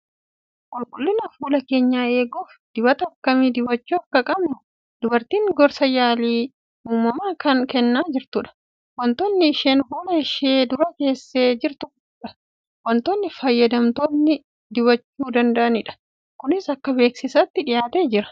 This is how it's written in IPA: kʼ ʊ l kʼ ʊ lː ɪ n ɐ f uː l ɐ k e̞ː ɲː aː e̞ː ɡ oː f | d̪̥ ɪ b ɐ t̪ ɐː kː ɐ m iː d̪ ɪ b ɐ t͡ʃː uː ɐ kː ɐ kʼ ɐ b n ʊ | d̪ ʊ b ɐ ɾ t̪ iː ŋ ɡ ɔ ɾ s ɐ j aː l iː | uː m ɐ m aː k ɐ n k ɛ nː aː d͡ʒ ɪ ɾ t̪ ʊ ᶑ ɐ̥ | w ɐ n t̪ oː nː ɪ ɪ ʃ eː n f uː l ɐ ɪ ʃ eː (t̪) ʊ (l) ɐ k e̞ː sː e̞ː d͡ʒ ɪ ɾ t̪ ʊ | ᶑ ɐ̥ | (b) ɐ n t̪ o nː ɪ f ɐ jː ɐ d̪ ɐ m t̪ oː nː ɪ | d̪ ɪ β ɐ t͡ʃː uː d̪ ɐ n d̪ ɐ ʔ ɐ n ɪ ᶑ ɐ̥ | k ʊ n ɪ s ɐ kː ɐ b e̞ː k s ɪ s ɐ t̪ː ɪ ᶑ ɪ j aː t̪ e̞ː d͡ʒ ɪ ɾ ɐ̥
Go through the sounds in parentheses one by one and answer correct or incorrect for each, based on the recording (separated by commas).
incorrect, incorrect, incorrect